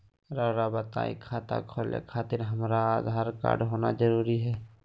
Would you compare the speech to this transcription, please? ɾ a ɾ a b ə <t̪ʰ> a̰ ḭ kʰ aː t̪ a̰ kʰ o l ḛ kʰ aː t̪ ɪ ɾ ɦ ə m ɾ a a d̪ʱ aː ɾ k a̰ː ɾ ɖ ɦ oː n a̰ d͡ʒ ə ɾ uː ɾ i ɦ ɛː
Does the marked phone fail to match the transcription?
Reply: yes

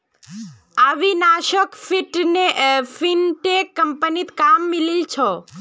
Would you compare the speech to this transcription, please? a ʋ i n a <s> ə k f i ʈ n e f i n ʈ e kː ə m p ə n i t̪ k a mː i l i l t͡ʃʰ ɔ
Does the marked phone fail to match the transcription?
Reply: yes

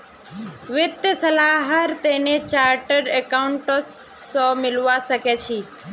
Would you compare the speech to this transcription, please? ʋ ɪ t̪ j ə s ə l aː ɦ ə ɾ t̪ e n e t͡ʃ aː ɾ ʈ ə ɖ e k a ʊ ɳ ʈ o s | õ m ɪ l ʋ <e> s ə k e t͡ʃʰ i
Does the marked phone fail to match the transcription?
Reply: yes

